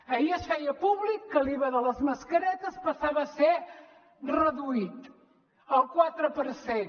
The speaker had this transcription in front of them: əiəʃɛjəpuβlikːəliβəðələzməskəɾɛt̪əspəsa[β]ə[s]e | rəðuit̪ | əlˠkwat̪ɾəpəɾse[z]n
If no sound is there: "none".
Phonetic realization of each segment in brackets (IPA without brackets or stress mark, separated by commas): β, s, none